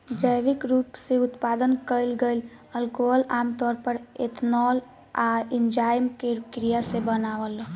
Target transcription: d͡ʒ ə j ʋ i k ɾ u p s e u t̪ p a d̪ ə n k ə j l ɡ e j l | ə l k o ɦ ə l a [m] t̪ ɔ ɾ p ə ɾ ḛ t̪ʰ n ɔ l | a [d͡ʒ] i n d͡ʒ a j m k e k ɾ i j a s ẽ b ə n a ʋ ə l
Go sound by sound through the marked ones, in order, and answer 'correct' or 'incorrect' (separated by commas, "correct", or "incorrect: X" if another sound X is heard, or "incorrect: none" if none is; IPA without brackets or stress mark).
correct, incorrect: none